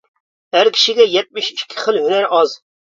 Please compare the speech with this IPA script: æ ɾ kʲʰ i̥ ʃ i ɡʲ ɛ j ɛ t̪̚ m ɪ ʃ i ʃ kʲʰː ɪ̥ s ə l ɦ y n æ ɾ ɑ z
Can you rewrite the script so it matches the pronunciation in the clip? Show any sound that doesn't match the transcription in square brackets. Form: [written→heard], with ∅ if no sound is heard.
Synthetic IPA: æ ɾ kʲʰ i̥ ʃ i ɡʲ ɛ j ɛ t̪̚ m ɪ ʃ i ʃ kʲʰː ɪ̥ [s→χ] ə l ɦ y n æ ɾ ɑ z

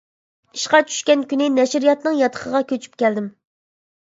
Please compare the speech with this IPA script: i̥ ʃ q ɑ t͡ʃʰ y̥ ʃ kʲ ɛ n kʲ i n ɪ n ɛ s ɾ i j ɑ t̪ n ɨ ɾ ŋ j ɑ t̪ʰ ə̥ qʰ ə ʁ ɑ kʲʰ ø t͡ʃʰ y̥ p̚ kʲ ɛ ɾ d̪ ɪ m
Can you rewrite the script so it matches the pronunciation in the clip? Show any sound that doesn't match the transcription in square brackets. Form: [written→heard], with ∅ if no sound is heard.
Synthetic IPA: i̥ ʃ q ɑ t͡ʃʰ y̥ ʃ kʲ ɛ n kʲ [i→y] n ɪ n ɛ [s→ʃ] ɾ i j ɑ t̪ n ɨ [ɾ→∅] ŋ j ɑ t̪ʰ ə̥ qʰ ə ʁ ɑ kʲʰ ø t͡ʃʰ y̥ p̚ kʲ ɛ [ɾ→l] d̪ ɪ m

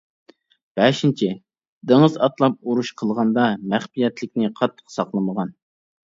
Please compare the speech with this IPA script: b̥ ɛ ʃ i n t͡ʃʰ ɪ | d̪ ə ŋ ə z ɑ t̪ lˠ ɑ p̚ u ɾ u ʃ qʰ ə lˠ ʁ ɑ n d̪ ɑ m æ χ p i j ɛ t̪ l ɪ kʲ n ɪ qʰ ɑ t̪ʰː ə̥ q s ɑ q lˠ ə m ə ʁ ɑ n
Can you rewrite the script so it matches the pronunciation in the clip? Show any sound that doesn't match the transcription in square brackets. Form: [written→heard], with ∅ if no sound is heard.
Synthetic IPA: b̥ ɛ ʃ i n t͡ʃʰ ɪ | d̪ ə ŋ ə z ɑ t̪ lˠ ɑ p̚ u ɾ u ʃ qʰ ə lˠ ʁ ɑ n d̪ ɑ m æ χ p i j ɛ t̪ l ɪ kʲ n ɪ qʰ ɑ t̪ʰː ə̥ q s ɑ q lˠ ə m ə ʁ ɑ n

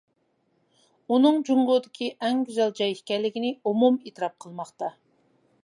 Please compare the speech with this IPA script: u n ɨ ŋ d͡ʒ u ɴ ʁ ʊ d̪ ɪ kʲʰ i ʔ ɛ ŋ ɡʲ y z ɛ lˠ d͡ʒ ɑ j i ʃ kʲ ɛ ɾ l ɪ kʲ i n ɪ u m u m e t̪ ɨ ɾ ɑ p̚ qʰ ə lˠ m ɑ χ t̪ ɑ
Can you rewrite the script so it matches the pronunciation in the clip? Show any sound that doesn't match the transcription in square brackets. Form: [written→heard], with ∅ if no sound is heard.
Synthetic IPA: u n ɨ ŋ d͡ʒ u ɴ ʁ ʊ d̪ ɪ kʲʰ i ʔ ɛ ŋ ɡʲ y z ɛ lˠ d͡ʒ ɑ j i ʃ kʲ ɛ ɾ l ɪ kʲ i n ɪ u m u m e t̪ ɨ ɾ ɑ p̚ qʰ ə lˠ m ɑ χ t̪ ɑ

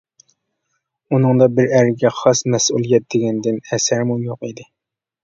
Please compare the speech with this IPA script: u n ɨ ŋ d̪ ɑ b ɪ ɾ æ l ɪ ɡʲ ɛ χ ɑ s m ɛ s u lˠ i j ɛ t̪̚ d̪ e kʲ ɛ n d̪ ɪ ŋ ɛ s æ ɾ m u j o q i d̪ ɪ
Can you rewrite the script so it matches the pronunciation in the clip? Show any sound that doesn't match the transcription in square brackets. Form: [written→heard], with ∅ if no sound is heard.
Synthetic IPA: u n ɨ ŋ d̪ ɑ b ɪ ɾ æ [l→ɾ] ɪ ɡʲ ɛ χ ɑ s m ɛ s u lˠ i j ɛ t̪̚ d̪ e [kʲ→ɡʲ] ɛ n d̪ ɪ [ŋ→n] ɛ s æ ɾ m u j o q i d̪ ɪ

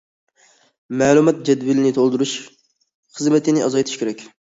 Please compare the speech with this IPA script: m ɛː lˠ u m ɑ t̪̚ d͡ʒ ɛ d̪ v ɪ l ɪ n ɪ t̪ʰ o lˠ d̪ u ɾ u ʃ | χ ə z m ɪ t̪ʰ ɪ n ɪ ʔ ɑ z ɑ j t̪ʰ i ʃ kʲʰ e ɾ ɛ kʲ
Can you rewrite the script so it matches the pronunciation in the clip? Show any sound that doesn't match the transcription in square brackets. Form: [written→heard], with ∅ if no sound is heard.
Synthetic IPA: m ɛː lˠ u m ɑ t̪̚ d͡ʒ ɛ d̪ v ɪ l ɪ n ɪ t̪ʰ o lˠ d̪ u ɾ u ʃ | χ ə z m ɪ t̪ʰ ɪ n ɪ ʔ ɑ z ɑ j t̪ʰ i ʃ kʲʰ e ɾ ɛ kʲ

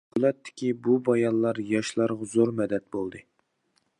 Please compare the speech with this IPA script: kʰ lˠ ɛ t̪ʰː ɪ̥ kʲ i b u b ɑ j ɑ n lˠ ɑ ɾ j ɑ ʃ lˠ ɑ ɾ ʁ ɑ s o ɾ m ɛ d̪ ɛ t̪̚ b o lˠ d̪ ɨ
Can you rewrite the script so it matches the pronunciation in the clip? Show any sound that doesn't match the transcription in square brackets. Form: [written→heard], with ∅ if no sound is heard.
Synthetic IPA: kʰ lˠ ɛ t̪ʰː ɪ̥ kʲ i b u b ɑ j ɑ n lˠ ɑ ɾ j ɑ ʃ lˠ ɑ ɾ ʁ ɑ [s→z] o ɾ m ɛ d̪ ɛ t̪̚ b o lˠ d̪ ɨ

